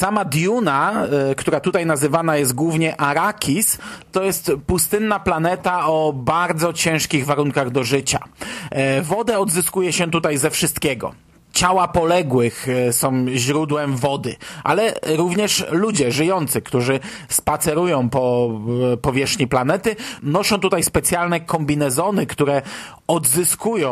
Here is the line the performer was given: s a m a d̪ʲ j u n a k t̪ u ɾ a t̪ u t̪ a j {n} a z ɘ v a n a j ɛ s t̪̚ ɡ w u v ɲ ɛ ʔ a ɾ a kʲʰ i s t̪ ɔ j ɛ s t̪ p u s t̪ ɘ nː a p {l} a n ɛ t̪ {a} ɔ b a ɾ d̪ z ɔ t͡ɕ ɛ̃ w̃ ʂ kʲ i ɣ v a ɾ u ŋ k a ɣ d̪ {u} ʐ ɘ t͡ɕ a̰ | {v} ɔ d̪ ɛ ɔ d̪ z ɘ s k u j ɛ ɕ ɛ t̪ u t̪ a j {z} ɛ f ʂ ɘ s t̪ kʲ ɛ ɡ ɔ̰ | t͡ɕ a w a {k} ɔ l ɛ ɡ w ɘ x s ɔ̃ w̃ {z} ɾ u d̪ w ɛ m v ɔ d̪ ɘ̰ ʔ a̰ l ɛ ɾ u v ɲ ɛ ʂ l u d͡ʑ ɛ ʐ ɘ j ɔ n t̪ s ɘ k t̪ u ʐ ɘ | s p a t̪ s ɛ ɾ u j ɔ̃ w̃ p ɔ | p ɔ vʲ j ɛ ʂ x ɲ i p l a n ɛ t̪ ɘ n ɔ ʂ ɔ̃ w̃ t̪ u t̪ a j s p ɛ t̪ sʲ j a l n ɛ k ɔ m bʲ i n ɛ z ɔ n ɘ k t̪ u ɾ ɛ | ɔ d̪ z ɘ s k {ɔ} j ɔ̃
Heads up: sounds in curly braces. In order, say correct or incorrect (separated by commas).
correct, correct, correct, incorrect, correct, correct, incorrect, incorrect, incorrect